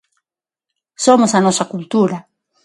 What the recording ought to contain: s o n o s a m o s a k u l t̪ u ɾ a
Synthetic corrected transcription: s o m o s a n o s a k u l t̪ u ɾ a